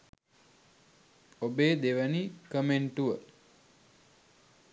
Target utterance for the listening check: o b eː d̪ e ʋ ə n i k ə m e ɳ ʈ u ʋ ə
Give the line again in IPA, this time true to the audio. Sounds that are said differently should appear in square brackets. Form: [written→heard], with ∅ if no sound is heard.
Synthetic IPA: o b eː d̪ e ʋ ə n i k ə m e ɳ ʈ u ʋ ə